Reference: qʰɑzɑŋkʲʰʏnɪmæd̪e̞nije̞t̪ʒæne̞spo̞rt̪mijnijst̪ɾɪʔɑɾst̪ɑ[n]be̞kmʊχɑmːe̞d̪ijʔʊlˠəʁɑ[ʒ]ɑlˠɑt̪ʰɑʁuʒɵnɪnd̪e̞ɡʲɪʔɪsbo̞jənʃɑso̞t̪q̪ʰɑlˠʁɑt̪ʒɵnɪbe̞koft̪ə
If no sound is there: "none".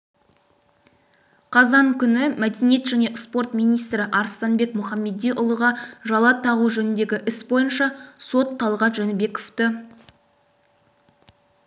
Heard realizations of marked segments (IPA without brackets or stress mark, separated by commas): n, ʒ